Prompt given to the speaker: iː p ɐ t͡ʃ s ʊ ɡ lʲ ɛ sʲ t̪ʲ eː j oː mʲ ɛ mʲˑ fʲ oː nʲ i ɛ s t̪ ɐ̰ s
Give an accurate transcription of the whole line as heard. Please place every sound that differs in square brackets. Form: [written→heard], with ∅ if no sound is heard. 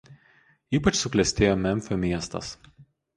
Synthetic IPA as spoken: iː p ɐ t͡ʃ s ʊ [ɡ→k] lʲ ɛ sʲ t̪ʲ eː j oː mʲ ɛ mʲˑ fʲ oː [nʲ→mʲ] i ɛ s t̪ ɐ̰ s